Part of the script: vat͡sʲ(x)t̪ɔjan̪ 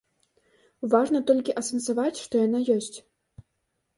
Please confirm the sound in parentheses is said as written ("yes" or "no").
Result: no